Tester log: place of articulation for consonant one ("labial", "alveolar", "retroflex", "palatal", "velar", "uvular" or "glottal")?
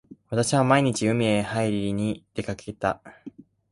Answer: labial